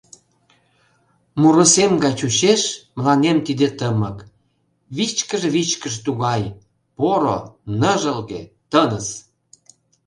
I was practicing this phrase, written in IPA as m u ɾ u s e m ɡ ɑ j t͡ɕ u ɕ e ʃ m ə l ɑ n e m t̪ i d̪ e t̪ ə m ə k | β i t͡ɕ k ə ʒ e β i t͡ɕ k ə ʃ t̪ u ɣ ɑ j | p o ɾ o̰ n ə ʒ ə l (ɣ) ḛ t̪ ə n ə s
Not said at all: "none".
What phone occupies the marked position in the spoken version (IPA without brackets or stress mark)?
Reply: ɣ